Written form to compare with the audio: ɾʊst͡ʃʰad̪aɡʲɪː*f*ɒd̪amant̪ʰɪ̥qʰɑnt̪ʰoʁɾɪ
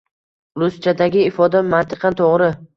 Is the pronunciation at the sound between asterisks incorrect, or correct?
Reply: correct